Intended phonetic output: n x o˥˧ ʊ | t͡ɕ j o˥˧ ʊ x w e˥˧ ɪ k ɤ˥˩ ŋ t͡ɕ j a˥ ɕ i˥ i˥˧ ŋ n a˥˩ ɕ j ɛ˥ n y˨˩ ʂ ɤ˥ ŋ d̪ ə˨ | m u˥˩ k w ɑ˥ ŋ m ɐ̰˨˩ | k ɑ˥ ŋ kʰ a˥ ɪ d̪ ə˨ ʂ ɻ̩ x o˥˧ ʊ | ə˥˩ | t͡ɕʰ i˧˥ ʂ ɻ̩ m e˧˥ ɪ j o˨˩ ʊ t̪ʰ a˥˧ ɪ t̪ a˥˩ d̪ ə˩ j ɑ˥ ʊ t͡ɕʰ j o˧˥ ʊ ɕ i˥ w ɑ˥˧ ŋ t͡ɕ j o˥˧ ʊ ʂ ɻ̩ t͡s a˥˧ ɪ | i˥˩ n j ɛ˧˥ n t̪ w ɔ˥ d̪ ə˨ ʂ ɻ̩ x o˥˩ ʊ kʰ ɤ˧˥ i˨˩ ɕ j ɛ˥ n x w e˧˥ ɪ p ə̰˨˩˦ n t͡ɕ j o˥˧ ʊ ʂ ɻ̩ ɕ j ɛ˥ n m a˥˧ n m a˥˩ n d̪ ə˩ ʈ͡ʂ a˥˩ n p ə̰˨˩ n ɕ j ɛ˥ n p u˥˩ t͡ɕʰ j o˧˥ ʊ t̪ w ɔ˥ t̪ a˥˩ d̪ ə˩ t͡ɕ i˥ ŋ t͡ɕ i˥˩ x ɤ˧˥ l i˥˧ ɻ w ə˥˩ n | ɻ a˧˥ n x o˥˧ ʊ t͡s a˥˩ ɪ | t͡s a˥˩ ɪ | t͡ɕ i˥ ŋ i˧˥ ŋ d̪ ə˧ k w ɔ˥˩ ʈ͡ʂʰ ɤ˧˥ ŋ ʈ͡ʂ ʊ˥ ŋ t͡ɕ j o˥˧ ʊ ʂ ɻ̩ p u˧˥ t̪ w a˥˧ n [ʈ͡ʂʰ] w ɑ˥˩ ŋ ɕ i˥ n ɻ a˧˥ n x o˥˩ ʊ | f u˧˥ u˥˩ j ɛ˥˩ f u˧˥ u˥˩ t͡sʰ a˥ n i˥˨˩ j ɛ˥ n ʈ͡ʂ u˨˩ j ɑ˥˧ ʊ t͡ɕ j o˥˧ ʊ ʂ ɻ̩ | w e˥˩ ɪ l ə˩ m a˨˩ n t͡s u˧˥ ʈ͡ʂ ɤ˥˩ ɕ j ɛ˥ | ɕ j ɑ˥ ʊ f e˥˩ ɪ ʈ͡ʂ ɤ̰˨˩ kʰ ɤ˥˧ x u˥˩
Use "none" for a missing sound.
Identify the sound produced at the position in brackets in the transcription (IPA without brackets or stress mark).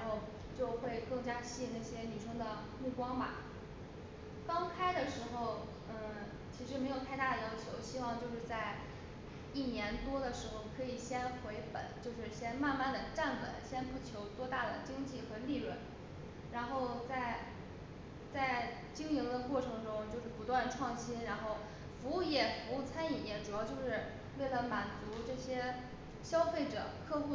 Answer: ʈ͡ʂʰ